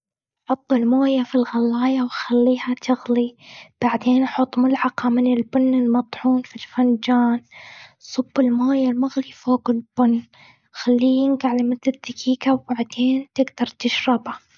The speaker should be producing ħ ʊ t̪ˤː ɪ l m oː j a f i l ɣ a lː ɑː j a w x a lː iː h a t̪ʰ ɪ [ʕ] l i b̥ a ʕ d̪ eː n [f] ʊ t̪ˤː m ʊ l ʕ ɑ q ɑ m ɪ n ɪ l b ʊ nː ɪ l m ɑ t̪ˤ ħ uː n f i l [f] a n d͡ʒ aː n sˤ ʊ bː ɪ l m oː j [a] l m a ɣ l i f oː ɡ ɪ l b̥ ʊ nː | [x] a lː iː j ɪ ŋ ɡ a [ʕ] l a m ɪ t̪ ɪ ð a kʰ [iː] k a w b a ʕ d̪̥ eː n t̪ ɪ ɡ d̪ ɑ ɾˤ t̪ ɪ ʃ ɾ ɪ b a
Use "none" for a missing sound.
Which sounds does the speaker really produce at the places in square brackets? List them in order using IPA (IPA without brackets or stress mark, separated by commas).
ɣ, ħ, f, a, x, ʕ, iː